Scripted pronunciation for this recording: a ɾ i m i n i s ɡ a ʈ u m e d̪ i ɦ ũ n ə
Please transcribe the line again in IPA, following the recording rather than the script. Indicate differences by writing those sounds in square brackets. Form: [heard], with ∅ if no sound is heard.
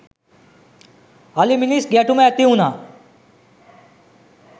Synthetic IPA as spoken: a [l] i m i n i s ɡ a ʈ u m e [t̪] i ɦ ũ n [a]